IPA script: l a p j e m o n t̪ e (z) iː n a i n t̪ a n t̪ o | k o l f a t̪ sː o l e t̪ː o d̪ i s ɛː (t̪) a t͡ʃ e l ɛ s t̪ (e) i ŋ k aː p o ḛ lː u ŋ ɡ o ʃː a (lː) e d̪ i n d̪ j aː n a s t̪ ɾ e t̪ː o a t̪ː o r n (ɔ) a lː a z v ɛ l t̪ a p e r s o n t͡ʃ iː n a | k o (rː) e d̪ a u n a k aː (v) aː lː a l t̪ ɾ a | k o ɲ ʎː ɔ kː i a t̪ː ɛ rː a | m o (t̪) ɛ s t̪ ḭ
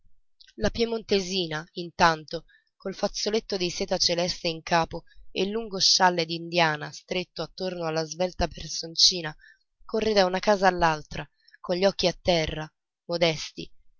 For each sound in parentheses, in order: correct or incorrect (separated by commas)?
correct, correct, correct, correct, incorrect, correct, incorrect, incorrect